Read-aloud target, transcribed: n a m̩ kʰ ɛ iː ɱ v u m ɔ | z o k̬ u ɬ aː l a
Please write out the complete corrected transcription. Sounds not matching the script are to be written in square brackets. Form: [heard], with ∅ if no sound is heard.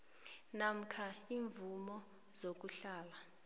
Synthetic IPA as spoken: n a m̩ kʰ [a] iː ɱ v u m ɔ | z o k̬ u ɬ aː l a